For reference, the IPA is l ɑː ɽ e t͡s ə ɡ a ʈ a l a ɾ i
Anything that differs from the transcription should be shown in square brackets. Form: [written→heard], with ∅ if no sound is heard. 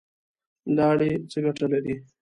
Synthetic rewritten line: l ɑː ɽ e t͡s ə ɡ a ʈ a l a ɾ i